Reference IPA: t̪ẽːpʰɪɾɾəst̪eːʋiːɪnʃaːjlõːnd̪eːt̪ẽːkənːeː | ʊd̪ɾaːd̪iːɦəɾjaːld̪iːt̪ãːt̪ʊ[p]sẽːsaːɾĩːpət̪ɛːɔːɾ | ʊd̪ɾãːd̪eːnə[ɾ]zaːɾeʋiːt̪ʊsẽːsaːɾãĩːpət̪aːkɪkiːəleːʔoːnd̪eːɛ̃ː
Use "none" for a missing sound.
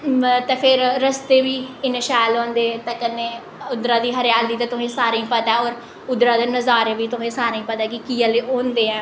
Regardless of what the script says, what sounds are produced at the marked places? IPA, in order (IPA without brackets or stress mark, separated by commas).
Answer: none, none